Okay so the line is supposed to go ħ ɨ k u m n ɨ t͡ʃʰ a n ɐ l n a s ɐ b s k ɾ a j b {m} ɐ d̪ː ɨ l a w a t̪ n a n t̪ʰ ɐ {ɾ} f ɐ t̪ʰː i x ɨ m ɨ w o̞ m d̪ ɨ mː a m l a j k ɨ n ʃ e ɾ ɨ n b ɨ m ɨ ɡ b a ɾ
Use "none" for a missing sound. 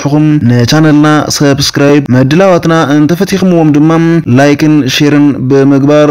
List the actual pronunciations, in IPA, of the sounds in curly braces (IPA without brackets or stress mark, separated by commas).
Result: m, none